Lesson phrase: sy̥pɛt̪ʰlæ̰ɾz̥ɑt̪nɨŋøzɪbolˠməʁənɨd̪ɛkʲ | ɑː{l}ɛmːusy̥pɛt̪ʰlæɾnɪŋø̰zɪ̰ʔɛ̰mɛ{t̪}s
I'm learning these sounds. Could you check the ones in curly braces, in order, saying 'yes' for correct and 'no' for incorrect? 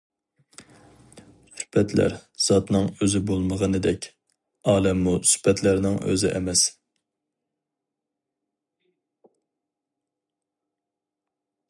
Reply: yes, no

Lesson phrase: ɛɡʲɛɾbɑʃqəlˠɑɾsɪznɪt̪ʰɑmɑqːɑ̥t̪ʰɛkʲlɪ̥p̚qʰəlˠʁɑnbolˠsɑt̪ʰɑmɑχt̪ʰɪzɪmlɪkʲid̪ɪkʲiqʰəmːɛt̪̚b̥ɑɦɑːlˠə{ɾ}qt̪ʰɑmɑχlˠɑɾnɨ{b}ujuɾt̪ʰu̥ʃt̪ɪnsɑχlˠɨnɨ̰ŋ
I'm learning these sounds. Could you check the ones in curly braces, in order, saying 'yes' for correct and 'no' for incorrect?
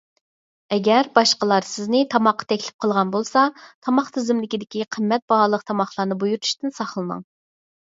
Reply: no, yes

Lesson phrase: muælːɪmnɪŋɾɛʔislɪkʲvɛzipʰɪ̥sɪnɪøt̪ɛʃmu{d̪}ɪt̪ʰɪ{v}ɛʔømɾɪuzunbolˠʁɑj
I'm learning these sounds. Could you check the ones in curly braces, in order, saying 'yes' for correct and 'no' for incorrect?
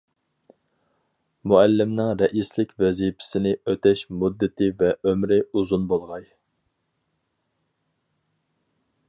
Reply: no, yes

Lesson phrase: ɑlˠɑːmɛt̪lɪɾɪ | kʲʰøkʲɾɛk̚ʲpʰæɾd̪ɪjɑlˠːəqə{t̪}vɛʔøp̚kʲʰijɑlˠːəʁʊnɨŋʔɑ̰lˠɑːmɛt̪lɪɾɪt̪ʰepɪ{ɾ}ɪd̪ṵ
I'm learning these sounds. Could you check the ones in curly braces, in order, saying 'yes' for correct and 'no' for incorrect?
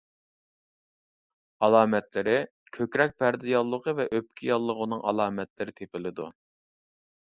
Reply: no, no

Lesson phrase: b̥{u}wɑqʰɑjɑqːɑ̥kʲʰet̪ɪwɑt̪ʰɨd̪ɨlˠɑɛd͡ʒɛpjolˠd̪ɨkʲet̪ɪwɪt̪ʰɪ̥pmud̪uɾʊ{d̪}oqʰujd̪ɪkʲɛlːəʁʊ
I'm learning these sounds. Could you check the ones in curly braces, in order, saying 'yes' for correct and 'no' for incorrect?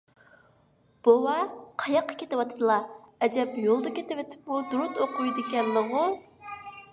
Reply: no, no

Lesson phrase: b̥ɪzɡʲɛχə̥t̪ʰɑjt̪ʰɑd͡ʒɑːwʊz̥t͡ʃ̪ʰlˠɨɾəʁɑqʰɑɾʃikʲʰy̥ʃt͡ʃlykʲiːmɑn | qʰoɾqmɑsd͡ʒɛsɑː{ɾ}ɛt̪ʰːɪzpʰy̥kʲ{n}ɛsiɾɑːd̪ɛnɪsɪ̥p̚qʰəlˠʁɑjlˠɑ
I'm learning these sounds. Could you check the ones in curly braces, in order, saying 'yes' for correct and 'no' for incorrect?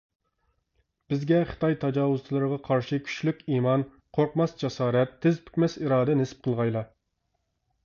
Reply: yes, no

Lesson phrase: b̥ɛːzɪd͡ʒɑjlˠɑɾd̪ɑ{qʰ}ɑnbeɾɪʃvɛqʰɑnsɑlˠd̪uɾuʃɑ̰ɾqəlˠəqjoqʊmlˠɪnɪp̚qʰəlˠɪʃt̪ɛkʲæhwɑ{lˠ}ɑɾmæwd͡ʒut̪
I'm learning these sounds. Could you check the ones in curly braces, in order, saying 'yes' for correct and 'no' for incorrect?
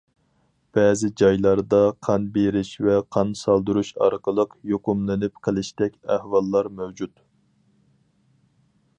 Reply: yes, no

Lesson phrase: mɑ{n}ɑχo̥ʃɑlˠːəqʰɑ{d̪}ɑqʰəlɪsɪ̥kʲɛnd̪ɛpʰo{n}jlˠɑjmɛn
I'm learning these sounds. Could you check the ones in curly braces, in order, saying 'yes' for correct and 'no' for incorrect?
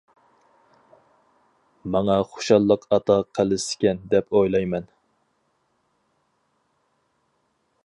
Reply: no, no, no

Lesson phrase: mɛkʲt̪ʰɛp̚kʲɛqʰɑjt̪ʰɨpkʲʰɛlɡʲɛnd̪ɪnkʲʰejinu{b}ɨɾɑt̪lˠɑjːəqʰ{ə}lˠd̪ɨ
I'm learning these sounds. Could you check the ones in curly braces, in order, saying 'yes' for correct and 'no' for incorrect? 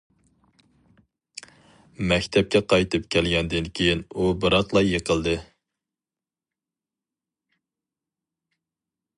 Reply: yes, yes

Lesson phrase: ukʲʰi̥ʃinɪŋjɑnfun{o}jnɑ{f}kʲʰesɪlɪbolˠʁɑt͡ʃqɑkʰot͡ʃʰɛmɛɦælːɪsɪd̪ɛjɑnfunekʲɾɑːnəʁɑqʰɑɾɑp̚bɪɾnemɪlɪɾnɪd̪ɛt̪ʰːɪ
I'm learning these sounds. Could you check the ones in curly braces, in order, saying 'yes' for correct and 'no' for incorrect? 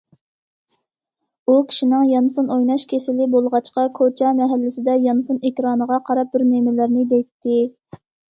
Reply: yes, no

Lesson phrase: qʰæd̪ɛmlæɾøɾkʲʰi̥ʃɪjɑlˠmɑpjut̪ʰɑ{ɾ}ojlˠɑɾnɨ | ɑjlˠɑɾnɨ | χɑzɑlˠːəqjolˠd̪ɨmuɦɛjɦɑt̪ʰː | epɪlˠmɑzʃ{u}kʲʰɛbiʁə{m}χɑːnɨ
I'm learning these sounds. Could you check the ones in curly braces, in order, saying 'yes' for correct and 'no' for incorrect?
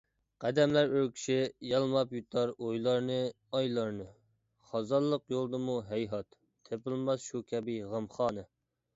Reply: yes, yes, yes

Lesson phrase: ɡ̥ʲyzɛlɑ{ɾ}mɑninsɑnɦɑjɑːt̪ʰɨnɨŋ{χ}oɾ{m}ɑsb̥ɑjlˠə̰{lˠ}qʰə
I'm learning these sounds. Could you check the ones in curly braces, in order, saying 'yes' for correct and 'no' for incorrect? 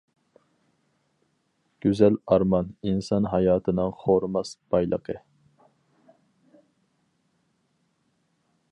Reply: yes, yes, yes, no

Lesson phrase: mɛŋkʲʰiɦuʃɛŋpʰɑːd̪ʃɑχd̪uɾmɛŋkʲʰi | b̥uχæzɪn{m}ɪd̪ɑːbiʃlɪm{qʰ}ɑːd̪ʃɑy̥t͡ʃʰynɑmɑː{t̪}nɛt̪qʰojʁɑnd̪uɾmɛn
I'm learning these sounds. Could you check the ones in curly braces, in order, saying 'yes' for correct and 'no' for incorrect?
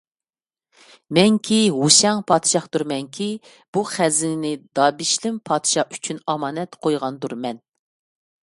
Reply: no, no, no

